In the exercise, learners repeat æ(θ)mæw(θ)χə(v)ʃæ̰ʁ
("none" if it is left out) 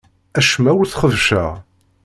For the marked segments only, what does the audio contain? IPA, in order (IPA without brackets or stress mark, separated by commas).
ʃ, θ, v